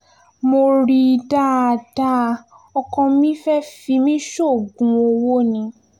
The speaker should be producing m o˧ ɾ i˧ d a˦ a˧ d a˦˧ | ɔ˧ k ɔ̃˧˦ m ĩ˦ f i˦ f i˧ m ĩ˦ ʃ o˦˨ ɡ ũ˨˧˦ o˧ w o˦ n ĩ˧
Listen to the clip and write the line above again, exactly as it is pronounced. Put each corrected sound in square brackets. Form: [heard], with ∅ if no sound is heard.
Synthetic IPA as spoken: m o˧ ɾ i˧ d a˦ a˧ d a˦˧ | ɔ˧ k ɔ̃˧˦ m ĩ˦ f [ɛ˦] f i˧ m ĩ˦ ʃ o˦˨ ɡ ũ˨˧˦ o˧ w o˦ n ĩ˧